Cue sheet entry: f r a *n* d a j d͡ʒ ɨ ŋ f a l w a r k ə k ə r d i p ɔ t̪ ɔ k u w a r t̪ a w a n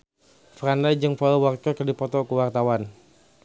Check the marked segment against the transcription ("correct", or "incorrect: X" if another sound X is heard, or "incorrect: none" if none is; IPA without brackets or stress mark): correct